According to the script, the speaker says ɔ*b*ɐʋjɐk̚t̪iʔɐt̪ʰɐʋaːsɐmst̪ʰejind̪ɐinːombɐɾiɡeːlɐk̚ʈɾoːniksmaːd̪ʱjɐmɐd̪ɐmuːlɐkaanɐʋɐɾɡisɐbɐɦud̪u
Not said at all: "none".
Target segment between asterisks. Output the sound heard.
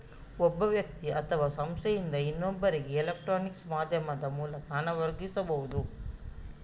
bː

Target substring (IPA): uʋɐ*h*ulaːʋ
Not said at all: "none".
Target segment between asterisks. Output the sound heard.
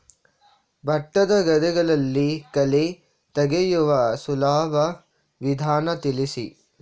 s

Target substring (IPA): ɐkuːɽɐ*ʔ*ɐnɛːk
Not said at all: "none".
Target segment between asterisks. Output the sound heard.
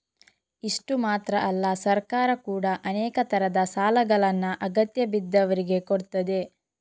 ʔ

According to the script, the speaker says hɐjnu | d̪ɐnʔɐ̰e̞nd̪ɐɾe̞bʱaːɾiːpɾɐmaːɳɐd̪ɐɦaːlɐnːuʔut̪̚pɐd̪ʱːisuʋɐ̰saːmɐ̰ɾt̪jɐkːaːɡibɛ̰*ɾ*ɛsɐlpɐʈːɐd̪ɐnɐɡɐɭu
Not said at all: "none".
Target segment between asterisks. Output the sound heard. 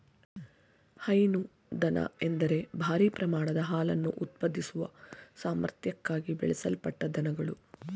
ɭ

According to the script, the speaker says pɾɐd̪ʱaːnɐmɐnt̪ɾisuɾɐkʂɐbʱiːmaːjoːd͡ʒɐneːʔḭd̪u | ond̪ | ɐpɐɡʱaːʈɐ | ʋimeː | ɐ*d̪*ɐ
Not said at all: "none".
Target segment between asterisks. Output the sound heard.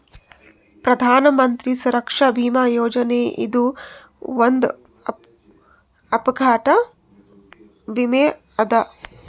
d̪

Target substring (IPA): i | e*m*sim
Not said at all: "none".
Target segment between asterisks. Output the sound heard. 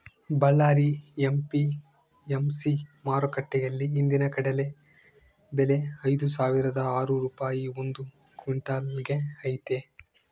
m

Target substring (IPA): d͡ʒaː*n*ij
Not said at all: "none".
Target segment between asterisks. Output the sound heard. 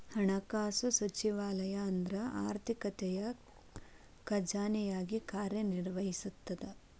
n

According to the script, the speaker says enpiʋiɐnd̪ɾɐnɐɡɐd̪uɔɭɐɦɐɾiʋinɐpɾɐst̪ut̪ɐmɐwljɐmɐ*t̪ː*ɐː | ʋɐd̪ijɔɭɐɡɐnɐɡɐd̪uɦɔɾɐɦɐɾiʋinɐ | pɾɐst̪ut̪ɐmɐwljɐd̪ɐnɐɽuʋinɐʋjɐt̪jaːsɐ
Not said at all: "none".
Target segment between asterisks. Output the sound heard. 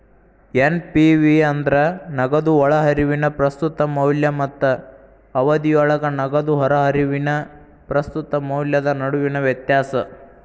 t̪ː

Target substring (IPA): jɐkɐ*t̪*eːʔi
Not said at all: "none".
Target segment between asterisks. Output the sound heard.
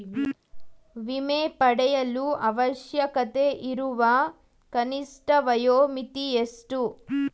t̪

